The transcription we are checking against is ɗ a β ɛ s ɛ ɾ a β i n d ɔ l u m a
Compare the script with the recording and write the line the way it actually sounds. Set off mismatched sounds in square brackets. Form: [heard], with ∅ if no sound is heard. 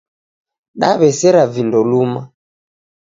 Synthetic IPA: ɗ a β ɛ s ɛ ɾ a [v] i n d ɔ l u m a